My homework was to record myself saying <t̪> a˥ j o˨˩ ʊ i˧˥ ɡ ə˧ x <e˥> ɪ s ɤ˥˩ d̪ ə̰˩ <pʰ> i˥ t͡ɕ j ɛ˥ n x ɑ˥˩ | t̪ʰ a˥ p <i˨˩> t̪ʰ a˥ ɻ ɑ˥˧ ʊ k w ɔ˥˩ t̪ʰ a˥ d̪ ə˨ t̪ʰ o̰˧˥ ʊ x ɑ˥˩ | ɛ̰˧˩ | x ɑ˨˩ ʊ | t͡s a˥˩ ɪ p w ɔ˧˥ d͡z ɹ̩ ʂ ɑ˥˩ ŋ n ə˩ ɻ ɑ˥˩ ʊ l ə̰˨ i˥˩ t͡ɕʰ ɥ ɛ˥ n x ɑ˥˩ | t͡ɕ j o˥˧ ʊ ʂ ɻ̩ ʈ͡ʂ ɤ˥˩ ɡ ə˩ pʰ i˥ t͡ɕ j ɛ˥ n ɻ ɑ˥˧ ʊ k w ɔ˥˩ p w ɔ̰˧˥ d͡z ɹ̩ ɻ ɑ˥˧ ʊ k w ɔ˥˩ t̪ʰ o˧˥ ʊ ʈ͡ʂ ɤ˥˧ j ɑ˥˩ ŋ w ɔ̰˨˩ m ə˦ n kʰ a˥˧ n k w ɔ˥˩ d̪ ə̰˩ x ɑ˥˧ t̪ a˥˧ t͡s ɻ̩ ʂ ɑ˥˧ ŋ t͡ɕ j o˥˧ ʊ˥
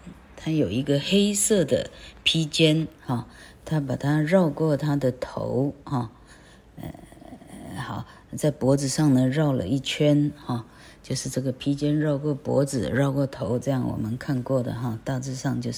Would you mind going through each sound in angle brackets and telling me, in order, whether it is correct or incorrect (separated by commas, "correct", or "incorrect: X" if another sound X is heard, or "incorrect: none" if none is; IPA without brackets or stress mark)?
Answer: incorrect: t̪ʰ, correct, correct, incorrect: a˨˩